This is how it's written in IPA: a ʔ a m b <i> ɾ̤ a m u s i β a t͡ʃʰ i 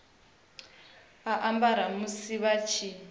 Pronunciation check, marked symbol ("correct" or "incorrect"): incorrect